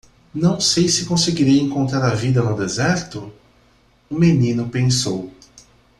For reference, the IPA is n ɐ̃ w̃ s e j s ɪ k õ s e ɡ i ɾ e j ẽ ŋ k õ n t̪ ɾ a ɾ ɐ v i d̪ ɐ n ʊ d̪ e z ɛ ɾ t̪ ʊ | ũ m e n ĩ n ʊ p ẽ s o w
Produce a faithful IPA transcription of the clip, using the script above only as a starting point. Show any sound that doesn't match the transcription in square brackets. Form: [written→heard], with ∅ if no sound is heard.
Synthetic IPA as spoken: n ɐ̃ w̃ s e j s ɪ k õ s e ɡ i ɾ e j ẽ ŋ k õ n t̪ ɾ a ɾ ɐ v i d̪ ɐ n ʊ d̪ e z ɛ ɾ t̪ ʊ | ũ m e n ĩ n ʊ p ẽ s o w